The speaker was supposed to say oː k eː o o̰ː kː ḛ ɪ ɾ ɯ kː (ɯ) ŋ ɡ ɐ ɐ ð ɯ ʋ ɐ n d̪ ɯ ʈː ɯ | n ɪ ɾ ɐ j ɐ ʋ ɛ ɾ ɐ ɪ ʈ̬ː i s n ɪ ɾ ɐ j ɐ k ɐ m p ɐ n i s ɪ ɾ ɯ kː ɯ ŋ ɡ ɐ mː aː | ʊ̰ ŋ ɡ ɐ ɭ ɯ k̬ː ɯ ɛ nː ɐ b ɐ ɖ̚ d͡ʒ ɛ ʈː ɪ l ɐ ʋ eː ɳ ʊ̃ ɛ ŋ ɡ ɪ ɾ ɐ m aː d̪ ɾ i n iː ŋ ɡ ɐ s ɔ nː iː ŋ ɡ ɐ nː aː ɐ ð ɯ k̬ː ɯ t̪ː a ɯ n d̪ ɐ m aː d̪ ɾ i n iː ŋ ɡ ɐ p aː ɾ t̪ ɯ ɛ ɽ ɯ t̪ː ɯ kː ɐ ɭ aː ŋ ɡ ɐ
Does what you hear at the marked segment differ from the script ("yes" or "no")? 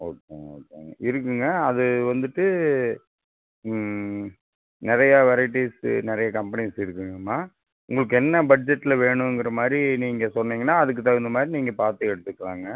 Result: no